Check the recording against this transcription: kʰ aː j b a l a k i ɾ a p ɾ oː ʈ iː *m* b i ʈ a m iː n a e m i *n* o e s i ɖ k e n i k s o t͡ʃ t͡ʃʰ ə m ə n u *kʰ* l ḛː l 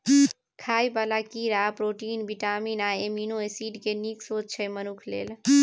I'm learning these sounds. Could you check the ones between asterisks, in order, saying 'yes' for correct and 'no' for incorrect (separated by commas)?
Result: no, yes, yes